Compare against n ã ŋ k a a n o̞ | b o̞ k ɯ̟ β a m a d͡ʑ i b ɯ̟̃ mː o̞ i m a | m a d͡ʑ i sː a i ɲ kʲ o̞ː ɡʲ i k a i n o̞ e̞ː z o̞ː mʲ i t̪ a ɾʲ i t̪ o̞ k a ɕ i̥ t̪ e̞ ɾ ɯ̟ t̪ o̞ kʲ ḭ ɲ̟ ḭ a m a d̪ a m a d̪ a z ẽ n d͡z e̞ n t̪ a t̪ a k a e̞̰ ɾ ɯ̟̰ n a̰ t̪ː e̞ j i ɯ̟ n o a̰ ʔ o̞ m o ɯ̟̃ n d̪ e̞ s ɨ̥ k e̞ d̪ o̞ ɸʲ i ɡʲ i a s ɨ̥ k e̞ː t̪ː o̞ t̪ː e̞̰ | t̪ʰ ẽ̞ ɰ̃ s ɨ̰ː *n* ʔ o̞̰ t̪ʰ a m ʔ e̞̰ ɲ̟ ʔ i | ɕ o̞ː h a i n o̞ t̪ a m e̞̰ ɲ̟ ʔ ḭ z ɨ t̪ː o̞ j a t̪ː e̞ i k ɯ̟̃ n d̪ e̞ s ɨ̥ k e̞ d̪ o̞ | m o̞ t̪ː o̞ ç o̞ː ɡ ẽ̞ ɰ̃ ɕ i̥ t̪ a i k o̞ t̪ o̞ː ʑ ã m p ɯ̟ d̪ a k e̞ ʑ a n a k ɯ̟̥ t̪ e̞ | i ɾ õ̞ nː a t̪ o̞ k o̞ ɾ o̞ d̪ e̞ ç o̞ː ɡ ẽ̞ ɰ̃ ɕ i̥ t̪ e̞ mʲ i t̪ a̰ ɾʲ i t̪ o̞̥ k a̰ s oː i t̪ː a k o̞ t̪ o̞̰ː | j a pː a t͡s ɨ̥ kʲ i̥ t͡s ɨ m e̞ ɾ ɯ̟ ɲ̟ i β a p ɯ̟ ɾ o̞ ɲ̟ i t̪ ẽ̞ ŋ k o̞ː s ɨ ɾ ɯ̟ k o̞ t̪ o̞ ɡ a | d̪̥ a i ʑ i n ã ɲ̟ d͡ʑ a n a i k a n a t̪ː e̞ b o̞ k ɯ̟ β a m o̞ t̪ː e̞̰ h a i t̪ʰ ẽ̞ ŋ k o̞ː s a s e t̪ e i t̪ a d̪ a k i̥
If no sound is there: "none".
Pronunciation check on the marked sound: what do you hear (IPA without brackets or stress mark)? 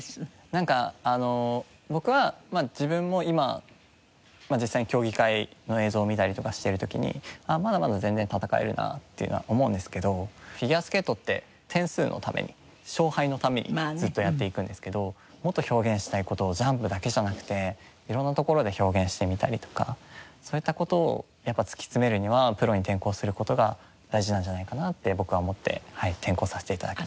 n